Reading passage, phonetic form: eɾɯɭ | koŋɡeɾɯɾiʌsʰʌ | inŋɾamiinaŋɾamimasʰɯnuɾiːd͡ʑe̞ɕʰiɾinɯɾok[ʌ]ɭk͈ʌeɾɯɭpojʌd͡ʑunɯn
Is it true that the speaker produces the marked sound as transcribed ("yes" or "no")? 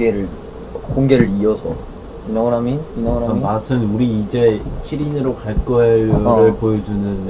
no